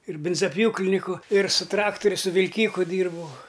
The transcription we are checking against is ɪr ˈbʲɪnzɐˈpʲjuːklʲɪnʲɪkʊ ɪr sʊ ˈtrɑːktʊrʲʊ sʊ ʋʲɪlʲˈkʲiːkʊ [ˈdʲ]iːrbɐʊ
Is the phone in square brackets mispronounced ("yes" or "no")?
no